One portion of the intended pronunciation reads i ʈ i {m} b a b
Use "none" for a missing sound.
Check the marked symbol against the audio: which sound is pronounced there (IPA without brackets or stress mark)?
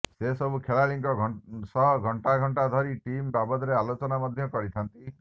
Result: m